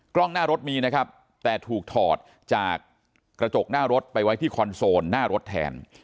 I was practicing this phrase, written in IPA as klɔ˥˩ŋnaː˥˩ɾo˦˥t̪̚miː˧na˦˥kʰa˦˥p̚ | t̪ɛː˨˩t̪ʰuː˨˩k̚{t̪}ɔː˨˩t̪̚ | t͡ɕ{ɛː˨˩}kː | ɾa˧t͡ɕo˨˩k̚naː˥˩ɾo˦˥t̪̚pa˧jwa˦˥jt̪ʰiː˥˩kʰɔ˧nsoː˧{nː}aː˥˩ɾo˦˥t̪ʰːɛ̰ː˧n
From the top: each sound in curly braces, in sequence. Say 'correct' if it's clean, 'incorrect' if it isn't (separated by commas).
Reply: incorrect, incorrect, correct